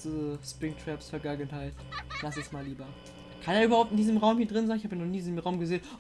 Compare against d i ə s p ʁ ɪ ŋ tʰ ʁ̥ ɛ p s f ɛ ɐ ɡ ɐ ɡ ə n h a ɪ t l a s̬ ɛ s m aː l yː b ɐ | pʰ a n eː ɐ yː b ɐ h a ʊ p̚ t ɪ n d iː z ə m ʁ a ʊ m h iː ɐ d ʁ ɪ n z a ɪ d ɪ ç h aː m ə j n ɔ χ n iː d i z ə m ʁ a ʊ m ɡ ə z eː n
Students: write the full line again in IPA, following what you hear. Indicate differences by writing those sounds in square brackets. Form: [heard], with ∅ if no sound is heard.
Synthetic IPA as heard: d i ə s p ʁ ɪ ŋ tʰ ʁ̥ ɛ p s f ɛ ɐ ɡ [a] ɡ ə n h a ɪ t l a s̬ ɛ s m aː l [iː] b ɐ | [kʰ] a n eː ɐ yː b ɐ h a ʊ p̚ t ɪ n d iː z ə m ʁ a ʊ m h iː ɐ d ʁ ɪ n z a ɪ [n] ɪ ç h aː [b] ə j n ɔ χ n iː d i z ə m ʁ a ʊ m ɡ ə z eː n